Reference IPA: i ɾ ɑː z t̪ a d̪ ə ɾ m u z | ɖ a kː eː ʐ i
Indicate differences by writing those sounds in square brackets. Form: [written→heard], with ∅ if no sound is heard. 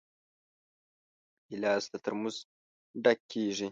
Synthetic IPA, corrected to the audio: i [ɾ→l] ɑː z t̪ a [d̪→t̪] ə ɾ m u z | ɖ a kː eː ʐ i